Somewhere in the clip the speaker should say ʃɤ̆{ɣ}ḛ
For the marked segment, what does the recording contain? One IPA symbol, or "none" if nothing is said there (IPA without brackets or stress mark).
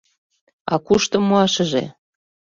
ʒ